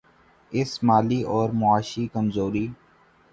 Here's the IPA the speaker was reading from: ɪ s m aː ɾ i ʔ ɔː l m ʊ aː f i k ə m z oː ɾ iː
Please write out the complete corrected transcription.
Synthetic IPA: ɪ s m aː l i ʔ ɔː ɾ m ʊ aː ʃ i k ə m z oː ɾ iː